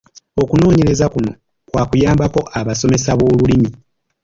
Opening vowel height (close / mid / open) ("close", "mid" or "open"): mid